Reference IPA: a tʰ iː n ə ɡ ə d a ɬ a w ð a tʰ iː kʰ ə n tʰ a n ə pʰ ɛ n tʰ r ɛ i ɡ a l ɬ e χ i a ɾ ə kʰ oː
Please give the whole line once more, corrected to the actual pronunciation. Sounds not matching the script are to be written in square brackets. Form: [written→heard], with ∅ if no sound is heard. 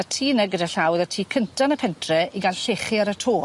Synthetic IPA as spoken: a tʰ iː n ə ɡ ə d a ɬ a w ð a tʰ iː kʰ ə n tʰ a n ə pʰ ɛ n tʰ r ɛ i ɡ a l ɬ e χ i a ɾ ə [kʰ→tʰ] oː